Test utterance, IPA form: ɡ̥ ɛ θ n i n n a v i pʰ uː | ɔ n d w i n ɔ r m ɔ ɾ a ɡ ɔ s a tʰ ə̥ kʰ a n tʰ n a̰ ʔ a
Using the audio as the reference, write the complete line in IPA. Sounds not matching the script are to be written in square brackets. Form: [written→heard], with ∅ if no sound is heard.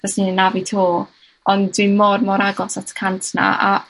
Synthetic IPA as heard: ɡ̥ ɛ [θ→s] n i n n a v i [pʰ→tʰ] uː | ɔ n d w i [n→m] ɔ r m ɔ ɾ a ɡ ɔ s a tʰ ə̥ kʰ a n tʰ n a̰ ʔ a